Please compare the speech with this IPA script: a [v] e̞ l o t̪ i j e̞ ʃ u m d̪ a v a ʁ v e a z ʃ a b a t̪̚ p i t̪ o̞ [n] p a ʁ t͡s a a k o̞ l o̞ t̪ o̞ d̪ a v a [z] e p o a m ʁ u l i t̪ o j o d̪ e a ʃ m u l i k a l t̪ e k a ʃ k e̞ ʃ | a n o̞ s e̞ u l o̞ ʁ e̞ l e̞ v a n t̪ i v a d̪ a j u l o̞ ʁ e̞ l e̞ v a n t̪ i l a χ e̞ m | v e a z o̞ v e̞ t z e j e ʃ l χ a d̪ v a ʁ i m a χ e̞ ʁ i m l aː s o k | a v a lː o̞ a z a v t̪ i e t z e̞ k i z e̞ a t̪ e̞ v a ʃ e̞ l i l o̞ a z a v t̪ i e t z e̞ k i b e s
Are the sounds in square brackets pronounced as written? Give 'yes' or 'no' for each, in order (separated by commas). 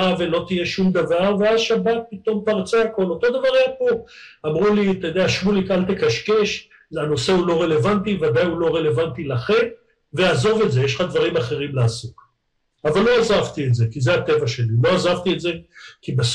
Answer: yes, no, no